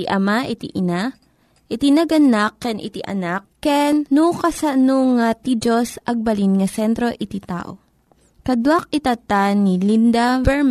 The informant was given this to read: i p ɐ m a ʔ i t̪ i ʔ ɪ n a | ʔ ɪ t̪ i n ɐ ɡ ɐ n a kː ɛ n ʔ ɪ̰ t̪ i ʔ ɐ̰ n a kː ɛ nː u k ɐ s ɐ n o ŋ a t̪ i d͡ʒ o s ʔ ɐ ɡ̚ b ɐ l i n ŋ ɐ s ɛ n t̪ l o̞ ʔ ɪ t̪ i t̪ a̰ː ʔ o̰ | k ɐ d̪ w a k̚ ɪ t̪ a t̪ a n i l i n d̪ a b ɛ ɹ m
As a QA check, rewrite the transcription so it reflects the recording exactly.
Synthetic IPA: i ʔ ɐ m a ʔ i t̪ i ʔ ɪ n a | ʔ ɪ t̪ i n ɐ ɡ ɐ n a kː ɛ n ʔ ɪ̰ t̪ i ʔ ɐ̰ n a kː ɛ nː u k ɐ s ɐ n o ŋ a t̪ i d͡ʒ o s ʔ ɐ ɡ̚ b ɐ l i n ŋ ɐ s ɛ n t̪ ɾ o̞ ʔ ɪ t̪ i t̪ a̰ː ʔ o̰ | k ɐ d̪ w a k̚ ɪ t̪ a t̪ a n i l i n d̪ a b ɛ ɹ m